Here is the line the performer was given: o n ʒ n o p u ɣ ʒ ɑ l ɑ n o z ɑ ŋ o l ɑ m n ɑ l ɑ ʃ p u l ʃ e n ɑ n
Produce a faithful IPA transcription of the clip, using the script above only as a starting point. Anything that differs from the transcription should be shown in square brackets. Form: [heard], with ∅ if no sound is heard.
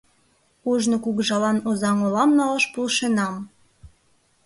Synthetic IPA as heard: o [∅] ʒ n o [k] u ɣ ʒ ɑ l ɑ n o z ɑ ŋ o l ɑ m n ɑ l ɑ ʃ p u l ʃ e n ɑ [m]